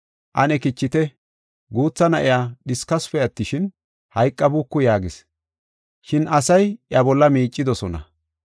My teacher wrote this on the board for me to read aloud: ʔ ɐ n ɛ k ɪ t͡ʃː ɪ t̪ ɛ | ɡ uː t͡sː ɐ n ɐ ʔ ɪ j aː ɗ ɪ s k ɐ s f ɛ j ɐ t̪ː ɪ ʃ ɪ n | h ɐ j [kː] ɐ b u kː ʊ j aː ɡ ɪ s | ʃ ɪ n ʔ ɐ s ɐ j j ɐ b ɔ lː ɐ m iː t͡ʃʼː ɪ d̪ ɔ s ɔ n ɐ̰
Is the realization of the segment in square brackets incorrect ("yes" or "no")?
yes